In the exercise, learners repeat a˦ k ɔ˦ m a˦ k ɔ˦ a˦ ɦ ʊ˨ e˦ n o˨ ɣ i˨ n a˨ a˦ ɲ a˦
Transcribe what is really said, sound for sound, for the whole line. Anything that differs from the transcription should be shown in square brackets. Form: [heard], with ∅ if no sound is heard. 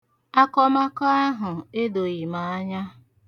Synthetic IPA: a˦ k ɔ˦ m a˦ k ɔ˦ a˦ ɦ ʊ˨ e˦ [d] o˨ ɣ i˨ [m] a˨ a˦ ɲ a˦